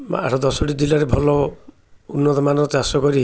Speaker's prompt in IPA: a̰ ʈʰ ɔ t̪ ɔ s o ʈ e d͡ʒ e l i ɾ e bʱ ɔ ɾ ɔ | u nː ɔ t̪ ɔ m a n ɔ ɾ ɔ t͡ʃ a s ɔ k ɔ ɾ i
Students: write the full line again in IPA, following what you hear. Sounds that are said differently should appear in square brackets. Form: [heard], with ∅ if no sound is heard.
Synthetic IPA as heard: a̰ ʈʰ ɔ [d̪] ɔ s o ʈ [i] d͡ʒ [i] l [a] ɾ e bʱ ɔ [l] ɔ | u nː ɔ t̪ ɔ m a n ɔ ɾ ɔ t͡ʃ a s ɔ k ɔ ɾ i